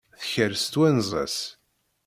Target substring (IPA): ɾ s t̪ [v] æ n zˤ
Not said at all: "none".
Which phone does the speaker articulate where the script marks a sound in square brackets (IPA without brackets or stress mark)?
w